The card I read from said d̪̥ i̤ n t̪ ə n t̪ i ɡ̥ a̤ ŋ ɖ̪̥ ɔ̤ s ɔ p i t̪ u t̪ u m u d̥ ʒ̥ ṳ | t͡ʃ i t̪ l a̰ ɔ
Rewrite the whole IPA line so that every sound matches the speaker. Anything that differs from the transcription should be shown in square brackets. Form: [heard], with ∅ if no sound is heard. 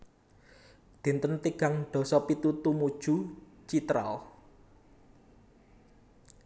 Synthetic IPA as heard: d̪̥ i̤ n t̪ ə n t̪ i ɡ̥ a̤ ŋ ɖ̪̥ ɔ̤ s ɔ p i t̪ u t̪ u m u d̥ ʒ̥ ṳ | t͡ʃ i t̪ [ɾ] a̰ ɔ